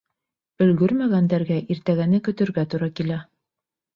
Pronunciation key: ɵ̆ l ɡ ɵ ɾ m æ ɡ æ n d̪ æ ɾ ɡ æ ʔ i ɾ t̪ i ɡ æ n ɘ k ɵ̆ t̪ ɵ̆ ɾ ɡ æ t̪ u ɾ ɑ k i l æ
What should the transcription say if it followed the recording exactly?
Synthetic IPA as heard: ɵ̆ l ɡ ɵ ɾ m æ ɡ æ n d̪ æ ɾ ɡ æ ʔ i ɾ t̪ æ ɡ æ n ɘ k ɵ̆ t̪ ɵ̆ ɾ ɡ æ t̪ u ɾ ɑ k i l æ